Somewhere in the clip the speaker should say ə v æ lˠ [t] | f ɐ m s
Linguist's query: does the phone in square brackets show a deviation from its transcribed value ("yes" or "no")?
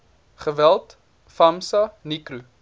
no